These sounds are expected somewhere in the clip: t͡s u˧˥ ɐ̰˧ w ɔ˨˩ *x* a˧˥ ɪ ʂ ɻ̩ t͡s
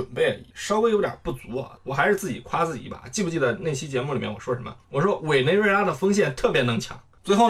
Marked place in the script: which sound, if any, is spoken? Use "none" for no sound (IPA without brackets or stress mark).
x